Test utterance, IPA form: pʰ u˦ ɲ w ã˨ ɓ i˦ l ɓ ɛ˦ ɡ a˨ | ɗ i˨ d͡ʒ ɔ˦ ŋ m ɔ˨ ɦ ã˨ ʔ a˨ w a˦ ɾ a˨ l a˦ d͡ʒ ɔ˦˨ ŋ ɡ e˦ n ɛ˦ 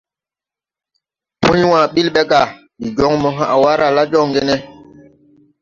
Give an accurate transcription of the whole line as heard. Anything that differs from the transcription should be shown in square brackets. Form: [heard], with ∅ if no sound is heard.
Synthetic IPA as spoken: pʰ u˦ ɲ w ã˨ ɓ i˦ l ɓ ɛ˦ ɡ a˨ | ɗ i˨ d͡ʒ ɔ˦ ŋ m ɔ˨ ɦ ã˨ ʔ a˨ w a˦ ɾ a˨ l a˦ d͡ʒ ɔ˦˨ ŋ ɡ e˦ n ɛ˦